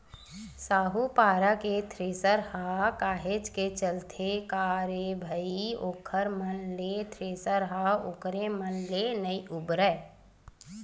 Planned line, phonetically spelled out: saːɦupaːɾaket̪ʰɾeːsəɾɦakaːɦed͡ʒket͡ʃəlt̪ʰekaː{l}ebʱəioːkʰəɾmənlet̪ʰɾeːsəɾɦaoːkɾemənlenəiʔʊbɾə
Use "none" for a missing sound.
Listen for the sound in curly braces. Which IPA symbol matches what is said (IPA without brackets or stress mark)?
ɾ